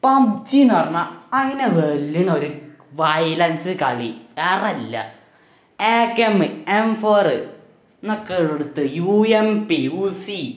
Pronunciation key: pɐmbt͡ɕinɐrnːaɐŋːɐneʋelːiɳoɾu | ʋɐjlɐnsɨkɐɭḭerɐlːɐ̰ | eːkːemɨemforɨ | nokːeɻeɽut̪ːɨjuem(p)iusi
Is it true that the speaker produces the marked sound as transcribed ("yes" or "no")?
yes